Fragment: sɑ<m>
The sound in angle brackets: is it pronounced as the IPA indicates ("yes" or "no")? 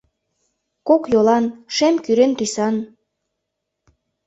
no